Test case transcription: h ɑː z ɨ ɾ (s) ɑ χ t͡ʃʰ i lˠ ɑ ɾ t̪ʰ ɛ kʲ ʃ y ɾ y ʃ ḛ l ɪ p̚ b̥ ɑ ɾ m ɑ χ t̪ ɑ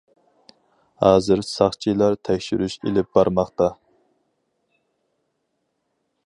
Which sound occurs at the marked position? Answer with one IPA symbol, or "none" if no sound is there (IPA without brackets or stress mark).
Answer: s